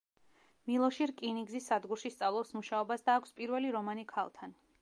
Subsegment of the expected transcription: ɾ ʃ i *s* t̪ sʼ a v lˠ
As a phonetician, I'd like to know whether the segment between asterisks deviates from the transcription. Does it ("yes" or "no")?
no